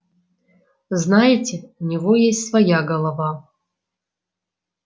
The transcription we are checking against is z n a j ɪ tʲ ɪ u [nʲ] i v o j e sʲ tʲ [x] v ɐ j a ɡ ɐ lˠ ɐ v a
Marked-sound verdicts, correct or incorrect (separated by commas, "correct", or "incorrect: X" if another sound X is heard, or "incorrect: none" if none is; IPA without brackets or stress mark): correct, incorrect: s